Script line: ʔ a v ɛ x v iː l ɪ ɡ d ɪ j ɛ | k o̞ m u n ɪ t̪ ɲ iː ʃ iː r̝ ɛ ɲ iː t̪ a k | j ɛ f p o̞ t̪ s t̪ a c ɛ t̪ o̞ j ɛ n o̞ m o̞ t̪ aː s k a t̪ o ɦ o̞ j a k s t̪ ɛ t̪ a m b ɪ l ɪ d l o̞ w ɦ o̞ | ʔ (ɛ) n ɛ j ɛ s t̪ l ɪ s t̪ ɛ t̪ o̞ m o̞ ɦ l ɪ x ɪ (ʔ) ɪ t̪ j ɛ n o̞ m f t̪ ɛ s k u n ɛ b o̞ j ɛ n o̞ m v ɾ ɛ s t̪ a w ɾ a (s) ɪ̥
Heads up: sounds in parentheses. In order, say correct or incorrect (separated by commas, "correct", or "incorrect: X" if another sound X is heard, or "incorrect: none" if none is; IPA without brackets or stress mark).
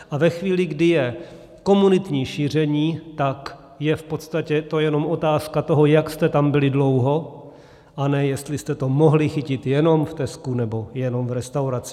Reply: incorrect: a, incorrect: c, incorrect: t͡s